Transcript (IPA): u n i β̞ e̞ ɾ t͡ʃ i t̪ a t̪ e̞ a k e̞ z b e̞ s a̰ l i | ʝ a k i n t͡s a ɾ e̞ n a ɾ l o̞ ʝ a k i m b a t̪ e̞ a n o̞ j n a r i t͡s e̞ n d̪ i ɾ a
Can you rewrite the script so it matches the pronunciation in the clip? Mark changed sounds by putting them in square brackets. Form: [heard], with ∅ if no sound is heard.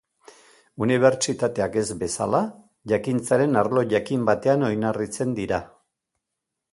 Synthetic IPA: u n i β̞ e̞ ɾ t͡ʃ i t̪ a t̪ e̞ a k e̞ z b e̞ s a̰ l [a] | ʝ a k i n t͡s a ɾ e̞ n a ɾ l o̞ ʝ a k i m b a t̪ e̞ a n o̞ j n a r i t͡s e̞ n d̪ i ɾ a